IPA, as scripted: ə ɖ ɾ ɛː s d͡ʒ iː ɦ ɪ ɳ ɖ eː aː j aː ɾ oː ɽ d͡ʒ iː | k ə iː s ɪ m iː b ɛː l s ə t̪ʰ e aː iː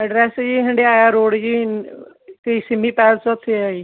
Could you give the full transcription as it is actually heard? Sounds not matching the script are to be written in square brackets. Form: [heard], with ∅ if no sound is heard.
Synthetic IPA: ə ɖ ɾ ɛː s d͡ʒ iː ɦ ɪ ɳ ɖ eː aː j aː ɾ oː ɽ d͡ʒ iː | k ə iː s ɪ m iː [p] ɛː l s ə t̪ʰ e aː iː